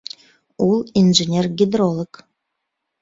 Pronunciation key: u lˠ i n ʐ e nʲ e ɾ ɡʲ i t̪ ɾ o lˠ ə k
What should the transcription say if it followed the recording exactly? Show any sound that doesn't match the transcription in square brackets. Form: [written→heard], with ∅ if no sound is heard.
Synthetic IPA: u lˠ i n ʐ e nʲ e [ɾ→r] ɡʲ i [t̪→d̪] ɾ o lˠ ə k